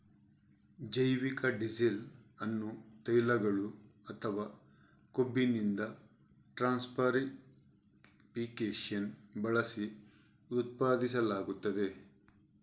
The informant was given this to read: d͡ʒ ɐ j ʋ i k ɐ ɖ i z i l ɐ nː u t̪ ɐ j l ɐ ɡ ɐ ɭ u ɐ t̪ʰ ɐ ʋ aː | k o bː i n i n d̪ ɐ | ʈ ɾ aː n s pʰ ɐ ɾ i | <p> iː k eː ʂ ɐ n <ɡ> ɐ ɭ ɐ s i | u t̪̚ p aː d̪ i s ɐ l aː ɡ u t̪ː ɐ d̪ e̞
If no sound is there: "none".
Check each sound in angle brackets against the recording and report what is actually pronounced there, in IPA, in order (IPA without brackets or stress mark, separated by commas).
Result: p, b